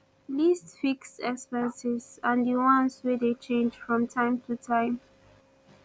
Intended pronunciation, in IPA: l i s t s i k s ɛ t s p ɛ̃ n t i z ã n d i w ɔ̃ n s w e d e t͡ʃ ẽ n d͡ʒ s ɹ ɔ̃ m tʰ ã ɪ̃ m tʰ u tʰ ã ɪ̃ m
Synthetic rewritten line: l i s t f i k s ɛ k s p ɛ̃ n s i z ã n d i w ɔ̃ n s w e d e t͡ʃ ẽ n d͡ʒ f ɹ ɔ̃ m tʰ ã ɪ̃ m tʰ u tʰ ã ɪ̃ m